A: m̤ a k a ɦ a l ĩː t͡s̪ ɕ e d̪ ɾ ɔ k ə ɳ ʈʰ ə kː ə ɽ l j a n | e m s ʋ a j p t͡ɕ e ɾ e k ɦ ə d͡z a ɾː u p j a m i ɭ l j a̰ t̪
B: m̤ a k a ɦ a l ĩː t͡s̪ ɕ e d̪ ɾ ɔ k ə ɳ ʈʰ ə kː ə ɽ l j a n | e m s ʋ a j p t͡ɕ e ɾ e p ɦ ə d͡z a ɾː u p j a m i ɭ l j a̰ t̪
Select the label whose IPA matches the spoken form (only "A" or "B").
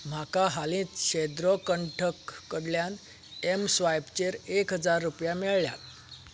A